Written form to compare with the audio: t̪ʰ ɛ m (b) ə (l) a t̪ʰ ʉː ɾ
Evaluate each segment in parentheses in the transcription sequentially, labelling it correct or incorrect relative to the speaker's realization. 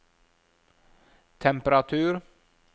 incorrect: p, incorrect: ɾ

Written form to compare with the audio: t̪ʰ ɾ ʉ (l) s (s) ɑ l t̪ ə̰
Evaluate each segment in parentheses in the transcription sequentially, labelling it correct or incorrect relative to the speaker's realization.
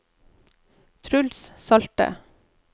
correct, correct

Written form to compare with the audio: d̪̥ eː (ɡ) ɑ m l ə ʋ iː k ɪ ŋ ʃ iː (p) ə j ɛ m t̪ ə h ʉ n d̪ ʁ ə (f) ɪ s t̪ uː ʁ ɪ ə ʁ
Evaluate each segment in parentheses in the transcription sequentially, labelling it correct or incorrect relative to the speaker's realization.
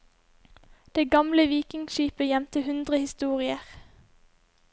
correct, correct, incorrect: h

